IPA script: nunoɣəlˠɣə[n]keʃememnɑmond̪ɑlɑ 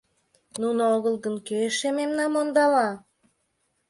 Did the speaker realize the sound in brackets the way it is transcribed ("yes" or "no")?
yes